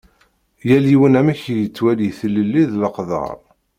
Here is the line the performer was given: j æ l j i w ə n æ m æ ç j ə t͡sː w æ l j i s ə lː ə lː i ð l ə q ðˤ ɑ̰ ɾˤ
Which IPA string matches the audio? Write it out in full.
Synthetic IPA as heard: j æ l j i w ə n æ m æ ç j ə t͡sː w æ l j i θ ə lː ə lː i ð l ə q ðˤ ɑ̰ ɾˤ